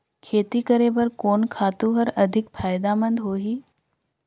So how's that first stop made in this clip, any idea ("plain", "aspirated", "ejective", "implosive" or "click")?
aspirated